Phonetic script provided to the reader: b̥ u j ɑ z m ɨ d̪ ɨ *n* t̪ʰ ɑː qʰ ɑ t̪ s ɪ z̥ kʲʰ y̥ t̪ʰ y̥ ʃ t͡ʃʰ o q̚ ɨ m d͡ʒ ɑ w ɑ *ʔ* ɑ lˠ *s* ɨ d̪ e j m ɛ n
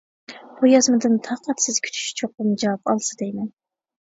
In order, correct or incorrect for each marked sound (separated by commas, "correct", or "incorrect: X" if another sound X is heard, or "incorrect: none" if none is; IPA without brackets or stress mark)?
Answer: correct, incorrect: p, correct